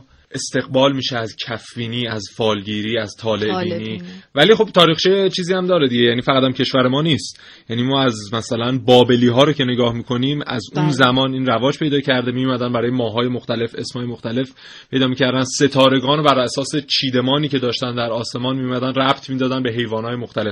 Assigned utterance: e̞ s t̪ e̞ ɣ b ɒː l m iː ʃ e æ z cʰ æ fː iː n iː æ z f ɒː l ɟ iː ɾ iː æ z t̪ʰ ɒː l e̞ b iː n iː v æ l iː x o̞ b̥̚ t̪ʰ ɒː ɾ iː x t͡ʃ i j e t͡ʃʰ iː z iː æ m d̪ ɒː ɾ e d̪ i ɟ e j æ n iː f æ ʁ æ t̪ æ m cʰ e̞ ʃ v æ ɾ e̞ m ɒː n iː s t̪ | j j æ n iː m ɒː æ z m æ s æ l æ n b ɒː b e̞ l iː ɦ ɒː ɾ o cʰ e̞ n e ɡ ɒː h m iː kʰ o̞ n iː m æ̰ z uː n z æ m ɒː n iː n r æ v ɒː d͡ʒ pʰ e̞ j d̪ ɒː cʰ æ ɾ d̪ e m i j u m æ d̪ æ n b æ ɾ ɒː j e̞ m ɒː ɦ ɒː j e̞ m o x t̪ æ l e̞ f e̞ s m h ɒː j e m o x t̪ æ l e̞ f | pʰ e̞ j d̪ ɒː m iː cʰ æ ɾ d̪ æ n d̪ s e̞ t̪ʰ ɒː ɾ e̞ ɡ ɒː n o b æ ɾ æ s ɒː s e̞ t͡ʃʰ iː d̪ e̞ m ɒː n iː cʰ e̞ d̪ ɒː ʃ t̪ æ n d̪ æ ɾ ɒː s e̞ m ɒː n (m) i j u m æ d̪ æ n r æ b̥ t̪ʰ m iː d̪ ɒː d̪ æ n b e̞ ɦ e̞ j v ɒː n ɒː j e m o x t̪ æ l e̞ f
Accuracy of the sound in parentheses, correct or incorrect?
correct